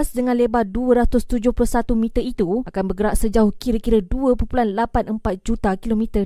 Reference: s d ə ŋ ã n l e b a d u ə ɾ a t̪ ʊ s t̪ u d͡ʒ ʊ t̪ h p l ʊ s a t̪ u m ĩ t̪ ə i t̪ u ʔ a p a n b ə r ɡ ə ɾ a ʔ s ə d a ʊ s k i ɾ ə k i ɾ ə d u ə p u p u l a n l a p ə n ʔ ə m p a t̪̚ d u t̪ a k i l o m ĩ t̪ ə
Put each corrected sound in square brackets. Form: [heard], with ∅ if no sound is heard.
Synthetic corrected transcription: s d ə ŋ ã n l e b a d u ə ɾ a t̪ ʊ s t̪ u d͡ʒ ʊ [∅] h p l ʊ s a t̪ u m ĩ t̪ ə i t̪ u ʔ a [k] a n b ə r ɡ ə ɾ a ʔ s ə [d͡ʒ] a ʊ [h] k i ɾ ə k i ɾ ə d u ə p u p u l a n l a p [a] n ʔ ə m p a t̪̚ [d͡ʒ] u t̪ a k i l o m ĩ t̪ ə